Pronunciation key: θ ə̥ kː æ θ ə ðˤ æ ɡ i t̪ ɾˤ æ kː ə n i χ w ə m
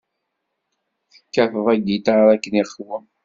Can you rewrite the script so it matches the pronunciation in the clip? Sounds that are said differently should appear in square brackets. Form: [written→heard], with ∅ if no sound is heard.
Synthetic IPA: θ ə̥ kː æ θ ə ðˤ æ ɡ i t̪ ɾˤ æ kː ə n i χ w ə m